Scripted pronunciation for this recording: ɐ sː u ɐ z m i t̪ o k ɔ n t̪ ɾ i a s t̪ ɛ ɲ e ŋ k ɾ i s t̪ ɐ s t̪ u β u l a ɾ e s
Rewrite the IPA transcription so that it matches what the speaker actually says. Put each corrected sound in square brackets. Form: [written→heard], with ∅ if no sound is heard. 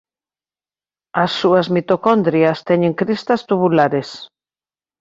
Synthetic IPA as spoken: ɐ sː u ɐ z m i t̪ o k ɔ n [t̪→d̪] ɾ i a s t̪ ɛ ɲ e ŋ k ɾ i s t̪ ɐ s t̪ u β u l a ɾ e s